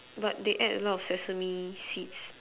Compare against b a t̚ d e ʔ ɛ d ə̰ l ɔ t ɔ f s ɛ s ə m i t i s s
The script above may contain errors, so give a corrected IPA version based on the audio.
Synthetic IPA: b a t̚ d e ʔ ɛ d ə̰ l ɔ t ɔ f s ɛ s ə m i s i t s